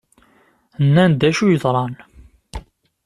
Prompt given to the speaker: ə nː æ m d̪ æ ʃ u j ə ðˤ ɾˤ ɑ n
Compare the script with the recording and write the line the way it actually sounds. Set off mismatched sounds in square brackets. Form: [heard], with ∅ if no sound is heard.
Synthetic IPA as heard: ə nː æ [n] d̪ æ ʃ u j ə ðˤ ɾˤ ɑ n